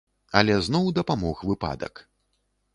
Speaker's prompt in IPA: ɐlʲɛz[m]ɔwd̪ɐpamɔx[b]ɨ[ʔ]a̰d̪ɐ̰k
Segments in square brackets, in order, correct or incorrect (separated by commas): incorrect, incorrect, incorrect